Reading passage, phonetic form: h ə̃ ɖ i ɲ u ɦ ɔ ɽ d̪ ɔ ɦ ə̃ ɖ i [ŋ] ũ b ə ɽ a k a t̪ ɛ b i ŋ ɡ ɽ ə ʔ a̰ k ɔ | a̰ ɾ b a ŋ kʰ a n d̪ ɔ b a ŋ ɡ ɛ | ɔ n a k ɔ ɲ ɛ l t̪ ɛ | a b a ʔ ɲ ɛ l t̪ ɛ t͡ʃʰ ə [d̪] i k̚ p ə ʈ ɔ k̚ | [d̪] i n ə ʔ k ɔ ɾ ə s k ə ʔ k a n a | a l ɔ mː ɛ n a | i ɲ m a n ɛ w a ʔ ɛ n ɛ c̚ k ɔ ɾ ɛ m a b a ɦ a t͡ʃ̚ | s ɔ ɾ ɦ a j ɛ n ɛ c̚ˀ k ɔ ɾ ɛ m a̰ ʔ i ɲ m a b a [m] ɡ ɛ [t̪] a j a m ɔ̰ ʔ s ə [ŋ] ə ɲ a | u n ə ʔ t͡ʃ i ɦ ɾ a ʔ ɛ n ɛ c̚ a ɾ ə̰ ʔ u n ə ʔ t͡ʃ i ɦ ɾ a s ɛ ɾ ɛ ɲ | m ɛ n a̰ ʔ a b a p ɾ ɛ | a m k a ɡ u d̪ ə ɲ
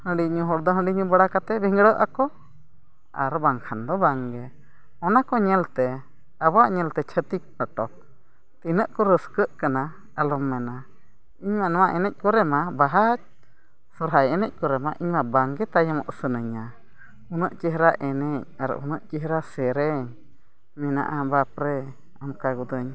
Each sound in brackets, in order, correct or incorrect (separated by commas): incorrect, incorrect, incorrect, incorrect, correct, incorrect